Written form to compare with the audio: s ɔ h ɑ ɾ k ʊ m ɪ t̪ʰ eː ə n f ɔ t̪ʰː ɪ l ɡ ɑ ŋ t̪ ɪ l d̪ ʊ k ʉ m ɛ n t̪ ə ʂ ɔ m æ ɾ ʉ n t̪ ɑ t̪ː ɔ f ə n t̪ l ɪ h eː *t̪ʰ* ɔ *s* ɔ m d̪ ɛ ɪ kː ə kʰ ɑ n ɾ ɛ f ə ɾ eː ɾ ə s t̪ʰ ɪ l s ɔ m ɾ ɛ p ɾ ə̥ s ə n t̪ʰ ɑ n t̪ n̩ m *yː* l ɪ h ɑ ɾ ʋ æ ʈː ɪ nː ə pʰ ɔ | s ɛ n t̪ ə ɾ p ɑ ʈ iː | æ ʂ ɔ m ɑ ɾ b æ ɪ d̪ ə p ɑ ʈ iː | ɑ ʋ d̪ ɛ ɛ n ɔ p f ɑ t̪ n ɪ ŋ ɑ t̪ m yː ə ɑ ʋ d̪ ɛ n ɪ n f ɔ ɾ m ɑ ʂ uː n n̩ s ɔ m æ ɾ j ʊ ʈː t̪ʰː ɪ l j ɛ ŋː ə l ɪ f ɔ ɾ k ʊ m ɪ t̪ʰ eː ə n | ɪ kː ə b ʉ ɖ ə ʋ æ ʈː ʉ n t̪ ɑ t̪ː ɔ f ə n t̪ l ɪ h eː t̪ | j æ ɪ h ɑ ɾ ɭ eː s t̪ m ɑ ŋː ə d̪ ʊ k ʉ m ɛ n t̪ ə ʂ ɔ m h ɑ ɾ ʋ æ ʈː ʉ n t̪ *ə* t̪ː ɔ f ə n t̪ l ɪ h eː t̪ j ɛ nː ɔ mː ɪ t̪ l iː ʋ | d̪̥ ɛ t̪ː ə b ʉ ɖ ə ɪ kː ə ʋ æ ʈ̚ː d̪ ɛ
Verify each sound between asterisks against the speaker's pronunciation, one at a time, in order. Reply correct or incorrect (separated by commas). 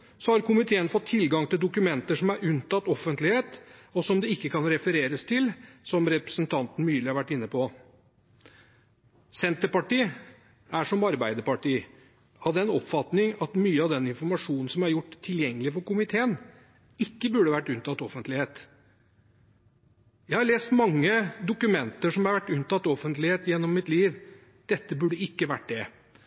incorrect, correct, correct, incorrect